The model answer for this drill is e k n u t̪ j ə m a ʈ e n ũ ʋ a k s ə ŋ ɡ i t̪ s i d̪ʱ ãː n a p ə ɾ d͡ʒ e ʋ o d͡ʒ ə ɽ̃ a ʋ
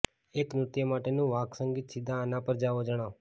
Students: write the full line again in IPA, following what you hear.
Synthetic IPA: e k n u t̪ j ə m a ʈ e n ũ ʋ a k s ə ŋ ɡ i t̪ s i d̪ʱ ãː n a p ə ɾ d͡ʒ a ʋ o d͡ʒ ə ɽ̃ a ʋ